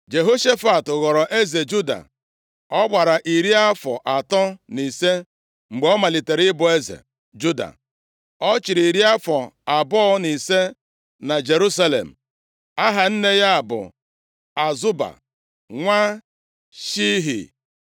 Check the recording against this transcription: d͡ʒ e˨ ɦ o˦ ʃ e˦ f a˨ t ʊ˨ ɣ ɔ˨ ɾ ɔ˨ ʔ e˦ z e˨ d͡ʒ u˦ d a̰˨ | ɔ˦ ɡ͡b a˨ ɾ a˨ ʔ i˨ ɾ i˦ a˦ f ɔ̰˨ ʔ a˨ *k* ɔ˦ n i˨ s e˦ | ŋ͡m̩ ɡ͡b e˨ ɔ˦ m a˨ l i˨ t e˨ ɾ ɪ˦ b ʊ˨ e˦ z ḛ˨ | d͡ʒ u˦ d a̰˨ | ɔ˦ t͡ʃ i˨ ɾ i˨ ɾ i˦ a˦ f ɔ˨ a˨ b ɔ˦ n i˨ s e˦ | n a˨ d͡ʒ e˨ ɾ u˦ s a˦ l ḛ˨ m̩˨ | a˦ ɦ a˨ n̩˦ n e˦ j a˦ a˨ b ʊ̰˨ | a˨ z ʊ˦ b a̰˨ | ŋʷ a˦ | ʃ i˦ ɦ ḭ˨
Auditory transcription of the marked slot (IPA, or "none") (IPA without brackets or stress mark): t